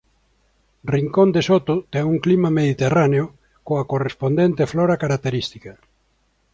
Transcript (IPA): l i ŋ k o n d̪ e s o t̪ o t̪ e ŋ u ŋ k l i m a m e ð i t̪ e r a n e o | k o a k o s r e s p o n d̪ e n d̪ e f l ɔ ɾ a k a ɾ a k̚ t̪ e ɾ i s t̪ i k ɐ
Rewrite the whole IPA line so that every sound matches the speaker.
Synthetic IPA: r i ŋ k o n d̪ e s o t̪ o t̪ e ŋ u ŋ k l i m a m e ð i t̪ e r a n e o | k o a k o r e s p o n d̪ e n t̪ e f l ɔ ɾ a k a ɾ a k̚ t̪ e ɾ i s t̪ i k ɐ